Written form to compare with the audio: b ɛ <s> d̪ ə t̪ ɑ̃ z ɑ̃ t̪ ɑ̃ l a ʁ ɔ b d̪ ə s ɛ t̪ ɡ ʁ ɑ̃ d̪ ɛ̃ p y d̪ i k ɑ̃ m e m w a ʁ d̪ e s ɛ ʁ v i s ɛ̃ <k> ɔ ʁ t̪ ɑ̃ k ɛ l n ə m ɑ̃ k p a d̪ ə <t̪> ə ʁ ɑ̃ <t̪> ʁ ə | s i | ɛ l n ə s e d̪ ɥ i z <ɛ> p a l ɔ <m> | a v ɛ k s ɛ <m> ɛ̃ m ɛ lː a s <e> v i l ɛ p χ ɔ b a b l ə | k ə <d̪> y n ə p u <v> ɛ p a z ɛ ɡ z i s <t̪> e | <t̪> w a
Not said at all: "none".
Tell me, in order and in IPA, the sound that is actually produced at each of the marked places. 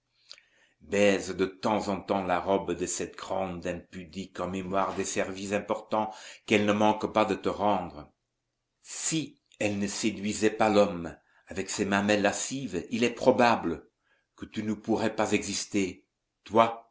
z, p, t̪, d̪, ɛ, m, m, i, t̪, ʁ, t̪, t̪

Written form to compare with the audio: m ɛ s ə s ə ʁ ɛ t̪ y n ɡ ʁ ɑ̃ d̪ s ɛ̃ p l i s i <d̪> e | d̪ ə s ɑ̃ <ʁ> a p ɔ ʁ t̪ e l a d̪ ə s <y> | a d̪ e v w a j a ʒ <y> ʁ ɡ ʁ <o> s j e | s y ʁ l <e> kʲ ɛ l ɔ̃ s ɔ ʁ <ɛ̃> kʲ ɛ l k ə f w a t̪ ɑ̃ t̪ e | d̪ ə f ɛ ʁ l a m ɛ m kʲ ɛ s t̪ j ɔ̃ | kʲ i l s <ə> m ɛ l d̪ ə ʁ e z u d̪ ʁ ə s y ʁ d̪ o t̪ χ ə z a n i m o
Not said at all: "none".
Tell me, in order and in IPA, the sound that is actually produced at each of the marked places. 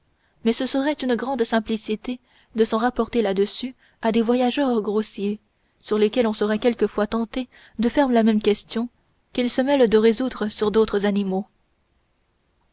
t̪, ʁ, y, œ, o, e, ɛ, ə

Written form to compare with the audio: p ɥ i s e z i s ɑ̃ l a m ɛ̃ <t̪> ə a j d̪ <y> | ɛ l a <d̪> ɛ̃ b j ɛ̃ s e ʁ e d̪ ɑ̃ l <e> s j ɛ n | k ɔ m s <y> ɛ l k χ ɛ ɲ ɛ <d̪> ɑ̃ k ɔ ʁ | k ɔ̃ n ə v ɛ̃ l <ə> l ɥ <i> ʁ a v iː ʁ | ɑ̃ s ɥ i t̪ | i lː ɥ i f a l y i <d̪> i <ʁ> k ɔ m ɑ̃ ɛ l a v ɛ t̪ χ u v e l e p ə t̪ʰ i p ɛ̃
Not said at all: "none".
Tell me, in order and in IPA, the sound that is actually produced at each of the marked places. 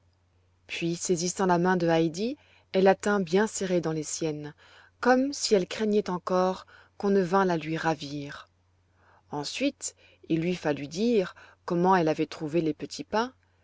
d̪, i, t̪, e, i, t̪, a, i, d̪, ʁ

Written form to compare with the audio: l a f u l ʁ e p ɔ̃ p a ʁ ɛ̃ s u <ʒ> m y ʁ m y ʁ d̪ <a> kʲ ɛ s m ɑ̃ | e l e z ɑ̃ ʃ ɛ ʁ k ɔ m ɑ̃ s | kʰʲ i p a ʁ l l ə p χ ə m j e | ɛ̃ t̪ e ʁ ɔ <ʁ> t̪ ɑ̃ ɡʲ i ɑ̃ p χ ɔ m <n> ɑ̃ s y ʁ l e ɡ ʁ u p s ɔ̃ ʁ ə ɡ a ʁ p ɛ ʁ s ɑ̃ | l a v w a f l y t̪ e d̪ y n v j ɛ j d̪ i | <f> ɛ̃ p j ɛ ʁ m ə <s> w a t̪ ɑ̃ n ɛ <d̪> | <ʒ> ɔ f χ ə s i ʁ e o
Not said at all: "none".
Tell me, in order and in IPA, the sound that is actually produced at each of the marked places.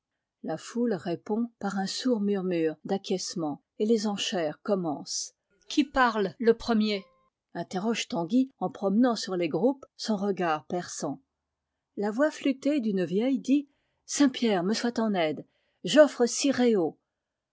ʁ, a, ʒ, n, s, s, d̪, ʒ

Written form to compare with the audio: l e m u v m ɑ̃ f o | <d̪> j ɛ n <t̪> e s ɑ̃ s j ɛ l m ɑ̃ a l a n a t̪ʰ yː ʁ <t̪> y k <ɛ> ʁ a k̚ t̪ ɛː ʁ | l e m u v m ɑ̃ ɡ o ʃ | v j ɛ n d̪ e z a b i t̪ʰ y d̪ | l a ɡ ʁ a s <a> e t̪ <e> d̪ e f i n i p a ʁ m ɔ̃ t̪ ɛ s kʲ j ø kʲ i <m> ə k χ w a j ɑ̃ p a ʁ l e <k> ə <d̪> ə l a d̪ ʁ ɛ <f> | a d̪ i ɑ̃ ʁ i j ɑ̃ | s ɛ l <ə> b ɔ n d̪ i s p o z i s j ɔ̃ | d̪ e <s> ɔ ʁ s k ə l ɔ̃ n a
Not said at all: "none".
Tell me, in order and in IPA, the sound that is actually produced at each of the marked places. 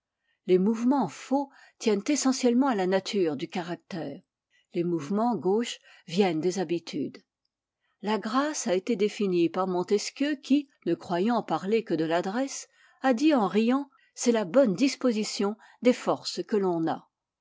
t̪, t̪, d̪, a, a, e, n, k, d̪, s, a, f

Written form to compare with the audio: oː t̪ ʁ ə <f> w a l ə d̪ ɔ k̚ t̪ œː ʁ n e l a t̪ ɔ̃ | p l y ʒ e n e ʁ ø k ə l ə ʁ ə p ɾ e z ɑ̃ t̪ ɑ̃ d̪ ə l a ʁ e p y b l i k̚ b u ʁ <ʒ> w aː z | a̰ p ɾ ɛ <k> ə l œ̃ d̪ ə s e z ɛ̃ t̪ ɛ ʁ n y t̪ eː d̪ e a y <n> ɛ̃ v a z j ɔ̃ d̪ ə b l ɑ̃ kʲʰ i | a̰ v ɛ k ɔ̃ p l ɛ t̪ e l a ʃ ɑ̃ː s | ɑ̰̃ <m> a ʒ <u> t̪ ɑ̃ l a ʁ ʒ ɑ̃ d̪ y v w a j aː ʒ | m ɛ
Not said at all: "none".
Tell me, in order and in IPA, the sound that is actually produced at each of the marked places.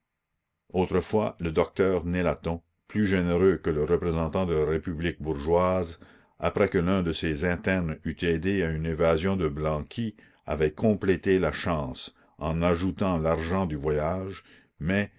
f, ʒ, k, n, n, u

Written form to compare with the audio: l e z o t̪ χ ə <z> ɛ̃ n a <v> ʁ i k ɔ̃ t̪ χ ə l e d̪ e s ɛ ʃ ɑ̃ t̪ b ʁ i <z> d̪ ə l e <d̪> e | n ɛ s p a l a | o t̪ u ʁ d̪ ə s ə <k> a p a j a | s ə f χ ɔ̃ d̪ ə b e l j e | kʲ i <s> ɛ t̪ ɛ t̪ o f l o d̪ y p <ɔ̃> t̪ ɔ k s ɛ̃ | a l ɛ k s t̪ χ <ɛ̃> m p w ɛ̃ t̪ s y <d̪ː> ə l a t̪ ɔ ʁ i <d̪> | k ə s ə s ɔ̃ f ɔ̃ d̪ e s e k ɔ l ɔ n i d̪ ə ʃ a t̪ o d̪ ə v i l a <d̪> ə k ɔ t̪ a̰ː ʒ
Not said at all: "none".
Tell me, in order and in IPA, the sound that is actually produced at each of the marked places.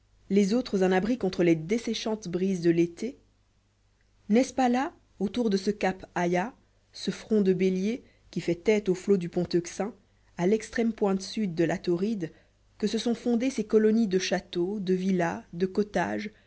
z, b, z, t̪, k, f, ɔ̃, ɛ, d̪ː, d̪, d̪

